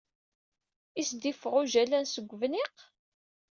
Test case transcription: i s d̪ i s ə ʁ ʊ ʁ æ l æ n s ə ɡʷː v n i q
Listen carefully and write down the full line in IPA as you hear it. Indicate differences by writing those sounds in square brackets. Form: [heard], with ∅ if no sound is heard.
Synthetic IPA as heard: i s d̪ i [f] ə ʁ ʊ [ʒ] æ l æ n s ə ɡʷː v n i q